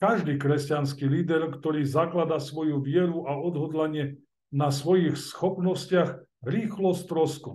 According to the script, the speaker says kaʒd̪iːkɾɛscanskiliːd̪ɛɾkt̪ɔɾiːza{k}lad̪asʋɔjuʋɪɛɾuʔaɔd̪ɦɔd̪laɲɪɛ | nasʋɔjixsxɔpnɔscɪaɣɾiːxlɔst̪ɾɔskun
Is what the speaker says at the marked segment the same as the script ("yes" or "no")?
yes